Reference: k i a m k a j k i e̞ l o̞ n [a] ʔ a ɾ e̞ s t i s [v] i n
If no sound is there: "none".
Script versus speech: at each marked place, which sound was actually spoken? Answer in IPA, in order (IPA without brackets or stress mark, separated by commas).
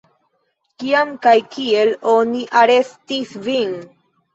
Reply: i, v